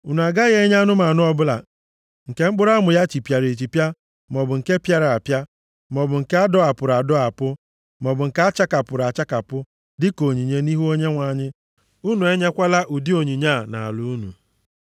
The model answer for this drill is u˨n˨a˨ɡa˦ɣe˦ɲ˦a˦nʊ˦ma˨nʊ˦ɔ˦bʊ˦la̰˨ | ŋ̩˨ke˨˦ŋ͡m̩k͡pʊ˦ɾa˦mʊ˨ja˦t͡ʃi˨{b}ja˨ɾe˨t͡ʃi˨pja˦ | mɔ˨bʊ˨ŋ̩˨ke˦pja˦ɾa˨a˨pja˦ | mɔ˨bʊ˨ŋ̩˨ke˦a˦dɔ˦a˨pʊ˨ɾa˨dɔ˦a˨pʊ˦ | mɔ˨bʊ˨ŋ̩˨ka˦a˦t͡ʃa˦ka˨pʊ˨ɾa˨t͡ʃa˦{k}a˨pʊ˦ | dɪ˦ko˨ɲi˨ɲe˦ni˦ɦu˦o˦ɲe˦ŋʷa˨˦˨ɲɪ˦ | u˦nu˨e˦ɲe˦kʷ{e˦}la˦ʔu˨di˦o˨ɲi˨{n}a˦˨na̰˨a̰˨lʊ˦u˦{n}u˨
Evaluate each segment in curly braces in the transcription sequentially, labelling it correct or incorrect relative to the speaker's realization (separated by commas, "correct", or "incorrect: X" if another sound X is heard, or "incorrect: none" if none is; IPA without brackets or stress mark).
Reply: incorrect: p, correct, incorrect: a˦, incorrect: ɲ, correct